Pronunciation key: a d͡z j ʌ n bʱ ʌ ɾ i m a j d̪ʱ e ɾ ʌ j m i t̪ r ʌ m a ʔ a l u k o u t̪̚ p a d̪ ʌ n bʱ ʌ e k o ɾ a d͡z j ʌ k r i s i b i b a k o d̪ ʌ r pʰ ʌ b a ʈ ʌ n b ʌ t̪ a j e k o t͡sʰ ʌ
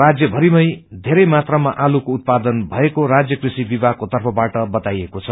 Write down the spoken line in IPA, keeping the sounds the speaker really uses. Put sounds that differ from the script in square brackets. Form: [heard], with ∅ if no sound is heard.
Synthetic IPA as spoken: a d͡z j ʌ [∅] bʱ ʌ ɾ i m [ʌ] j d̪ʱ e ɾ ʌ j m [a] t̪ r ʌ m a ʔ a l u k o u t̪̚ p a d̪ ʌ n bʱ ʌ e k o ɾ a d͡z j ʌ k r i s i b i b a k o [t̪] ʌ r pʰ ʌ b a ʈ ʌ [∅] b ʌ t̪ a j e k o t͡sʰ ʌ